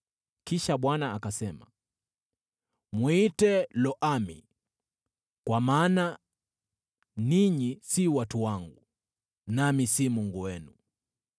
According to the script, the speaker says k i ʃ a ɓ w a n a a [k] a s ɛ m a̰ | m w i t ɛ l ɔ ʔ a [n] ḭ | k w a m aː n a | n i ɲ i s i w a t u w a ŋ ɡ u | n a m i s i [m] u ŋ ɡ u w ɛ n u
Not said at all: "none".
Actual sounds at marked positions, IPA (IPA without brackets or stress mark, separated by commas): k, m, m